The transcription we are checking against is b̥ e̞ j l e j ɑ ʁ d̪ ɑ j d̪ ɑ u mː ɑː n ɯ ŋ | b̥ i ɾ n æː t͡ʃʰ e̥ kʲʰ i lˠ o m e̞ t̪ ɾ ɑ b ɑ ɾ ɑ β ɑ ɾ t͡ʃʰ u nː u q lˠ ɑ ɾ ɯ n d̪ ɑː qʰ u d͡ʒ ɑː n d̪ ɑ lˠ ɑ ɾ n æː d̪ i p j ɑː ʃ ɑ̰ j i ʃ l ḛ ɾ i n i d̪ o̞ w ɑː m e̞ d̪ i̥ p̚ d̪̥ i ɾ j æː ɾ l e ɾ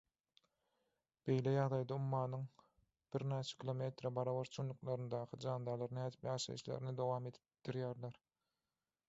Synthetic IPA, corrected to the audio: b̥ e̞ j l e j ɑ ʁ d̪ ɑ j d̪ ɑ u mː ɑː n ɯ ŋ | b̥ i ɾ n æː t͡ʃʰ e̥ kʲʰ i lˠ o m e̞ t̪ ɾ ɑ b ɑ ɾ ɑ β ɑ ɾ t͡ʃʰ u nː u q lˠ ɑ ɾ ɯ n d̪ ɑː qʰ ɯ d͡ʒ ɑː n d̪ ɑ lˠ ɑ ɾ n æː d̪ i p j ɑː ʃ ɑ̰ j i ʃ l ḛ ɾ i n i d̪ o̞ w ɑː m e̞ d̪ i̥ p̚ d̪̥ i ɾ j æː ɾ l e ɾ